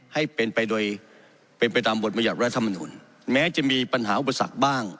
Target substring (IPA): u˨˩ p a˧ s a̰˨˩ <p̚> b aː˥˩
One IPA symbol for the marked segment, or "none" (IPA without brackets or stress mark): k̚